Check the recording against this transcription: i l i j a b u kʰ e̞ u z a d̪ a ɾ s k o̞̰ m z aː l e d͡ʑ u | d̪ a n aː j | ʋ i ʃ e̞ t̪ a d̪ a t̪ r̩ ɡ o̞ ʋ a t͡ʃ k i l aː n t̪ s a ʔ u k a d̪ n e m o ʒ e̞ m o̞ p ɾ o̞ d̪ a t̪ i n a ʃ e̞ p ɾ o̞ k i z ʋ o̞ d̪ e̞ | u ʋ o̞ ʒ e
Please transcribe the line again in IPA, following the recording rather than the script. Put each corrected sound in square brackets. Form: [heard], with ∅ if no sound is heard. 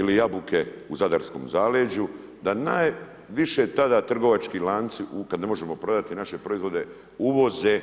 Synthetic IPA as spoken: i l i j a b u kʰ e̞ u z a d̪ a ɾ s k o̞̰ m z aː l e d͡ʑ u | d̪ a n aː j | ʋ i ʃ e̞ t̪ a d̪ a t̪ r̩ ɡ o̞ ʋ a t͡ʃ k i l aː n t̪ s [i] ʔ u k a d̪ n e m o ʒ e̞ m o̞ p ɾ o̞ d̪ a t̪ i n a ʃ e̞ p ɾ o̞ [∅] i z ʋ o̞ d̪ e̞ | u ʋ o̞ [z] e